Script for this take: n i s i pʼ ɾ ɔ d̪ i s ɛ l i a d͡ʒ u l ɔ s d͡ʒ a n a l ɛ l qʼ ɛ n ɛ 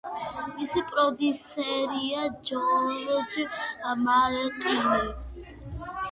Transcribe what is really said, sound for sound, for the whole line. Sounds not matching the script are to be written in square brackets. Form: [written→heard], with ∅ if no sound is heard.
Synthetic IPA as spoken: [n→m] i s i pʼ ɾ ɔ d̪ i s ɛ [l→ɾ] i a d͡ʒ [u→ɔ] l ɔ [s→∅] d͡ʒ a [n→m] a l ɛ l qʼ [ɛ→i] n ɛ